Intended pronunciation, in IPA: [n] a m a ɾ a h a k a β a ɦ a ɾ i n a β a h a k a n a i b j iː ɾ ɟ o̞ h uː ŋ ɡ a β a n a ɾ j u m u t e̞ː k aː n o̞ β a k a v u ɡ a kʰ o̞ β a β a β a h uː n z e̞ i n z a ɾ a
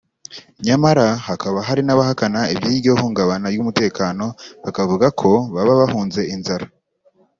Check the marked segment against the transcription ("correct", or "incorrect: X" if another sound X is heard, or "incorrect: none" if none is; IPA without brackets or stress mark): incorrect: ɲ